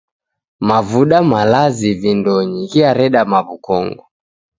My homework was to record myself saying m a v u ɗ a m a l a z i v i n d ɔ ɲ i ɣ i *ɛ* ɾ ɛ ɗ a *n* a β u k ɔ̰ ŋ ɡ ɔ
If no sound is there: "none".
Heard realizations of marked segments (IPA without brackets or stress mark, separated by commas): a, m